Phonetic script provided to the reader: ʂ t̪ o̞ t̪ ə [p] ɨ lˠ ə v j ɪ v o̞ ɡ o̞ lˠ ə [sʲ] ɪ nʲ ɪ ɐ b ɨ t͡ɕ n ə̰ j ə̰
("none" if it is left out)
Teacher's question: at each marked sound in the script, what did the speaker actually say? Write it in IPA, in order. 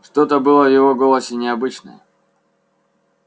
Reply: b, sʲ

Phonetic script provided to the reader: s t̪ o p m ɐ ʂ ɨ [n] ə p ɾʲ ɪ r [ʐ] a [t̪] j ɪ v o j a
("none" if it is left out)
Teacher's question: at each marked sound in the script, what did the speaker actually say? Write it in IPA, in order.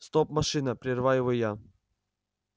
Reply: n, v, none

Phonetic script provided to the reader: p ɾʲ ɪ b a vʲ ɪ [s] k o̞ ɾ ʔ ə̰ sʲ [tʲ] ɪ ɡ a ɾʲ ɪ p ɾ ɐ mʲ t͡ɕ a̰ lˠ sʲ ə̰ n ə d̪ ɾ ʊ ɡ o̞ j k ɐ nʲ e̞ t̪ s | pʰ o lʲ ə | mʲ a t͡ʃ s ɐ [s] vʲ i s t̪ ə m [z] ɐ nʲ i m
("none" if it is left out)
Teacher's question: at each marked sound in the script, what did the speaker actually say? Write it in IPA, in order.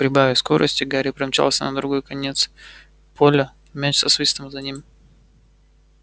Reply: s, tʲ, s, z

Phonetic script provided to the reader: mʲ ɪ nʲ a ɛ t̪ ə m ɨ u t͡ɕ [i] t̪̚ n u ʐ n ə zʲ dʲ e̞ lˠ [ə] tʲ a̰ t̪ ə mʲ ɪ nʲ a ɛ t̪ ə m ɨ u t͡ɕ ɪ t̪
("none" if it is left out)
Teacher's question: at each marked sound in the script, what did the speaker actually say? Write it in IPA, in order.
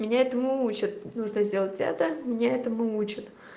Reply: ɪ, ə

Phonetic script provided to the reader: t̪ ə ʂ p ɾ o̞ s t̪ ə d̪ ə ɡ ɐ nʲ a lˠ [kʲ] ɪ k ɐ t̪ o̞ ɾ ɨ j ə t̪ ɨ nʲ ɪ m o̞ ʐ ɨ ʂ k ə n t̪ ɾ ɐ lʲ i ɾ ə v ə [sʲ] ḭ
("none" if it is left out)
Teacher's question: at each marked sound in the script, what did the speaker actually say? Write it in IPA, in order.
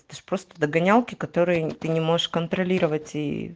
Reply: kʲ, tʲ

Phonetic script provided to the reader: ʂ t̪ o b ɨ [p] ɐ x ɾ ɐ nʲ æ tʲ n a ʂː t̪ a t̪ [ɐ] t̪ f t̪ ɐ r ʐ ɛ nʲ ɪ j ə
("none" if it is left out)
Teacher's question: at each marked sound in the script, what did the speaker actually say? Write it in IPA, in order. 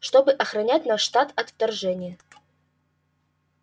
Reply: ʔ, ɐ

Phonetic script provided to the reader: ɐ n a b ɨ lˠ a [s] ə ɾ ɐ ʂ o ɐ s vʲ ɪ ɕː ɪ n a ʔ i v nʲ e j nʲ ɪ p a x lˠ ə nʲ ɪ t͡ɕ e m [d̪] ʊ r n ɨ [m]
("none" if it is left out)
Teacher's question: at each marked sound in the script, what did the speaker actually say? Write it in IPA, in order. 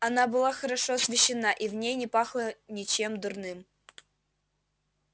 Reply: x, d̪, m

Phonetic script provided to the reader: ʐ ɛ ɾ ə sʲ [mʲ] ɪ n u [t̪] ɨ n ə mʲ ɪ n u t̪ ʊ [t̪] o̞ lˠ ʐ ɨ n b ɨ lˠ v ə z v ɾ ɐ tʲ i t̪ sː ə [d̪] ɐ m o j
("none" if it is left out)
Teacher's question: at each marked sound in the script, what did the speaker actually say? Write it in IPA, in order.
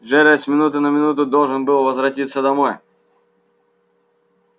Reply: mʲ, t̪, d̪, d̪

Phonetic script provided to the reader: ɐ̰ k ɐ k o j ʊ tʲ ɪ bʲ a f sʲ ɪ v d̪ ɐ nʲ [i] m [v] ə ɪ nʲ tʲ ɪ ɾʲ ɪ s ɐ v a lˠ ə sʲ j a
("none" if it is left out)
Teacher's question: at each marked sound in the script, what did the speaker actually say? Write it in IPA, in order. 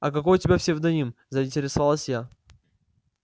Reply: i, z

